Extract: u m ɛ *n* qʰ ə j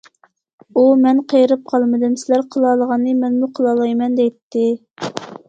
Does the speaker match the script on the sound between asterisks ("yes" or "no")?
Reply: yes